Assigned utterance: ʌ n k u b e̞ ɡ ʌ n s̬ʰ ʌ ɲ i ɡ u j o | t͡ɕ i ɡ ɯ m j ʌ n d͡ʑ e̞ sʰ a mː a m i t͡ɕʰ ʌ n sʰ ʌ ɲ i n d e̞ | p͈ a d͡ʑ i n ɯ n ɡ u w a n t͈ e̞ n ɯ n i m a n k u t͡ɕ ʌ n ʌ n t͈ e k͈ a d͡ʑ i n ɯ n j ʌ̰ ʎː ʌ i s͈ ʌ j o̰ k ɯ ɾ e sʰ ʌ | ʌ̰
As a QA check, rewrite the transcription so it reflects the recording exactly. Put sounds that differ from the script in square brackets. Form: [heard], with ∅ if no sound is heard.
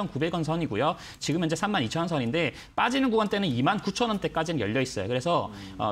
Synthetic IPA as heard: ʌ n k u b e̞ ɡ ʌ n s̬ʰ ʌ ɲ i ɡ u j o | t͡ɕ i ɡ ɯ m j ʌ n d͡ʑ e̞ sʰ a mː a [n] i t͡ɕʰ ʌ n sʰ ʌ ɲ i n d e̞ | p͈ a d͡ʑ i n ɯ n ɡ u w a n t͈ e̞ n ɯ n i m a n k u [t͡ɕʰ] ʌ n ʌ n t͈ e k͈ a d͡ʑ i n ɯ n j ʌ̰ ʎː ʌ i s͈ ʌ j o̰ k ɯ ɾ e sʰ ʌ | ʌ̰